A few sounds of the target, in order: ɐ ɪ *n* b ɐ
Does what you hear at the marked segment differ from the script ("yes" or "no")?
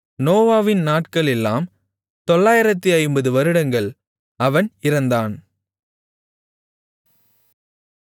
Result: yes